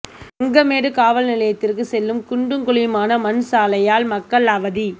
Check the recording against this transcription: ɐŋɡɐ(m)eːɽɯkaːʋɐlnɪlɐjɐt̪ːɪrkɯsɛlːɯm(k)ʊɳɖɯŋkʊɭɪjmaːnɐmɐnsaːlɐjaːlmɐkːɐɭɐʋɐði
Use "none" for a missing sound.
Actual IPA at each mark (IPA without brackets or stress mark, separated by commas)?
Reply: m, k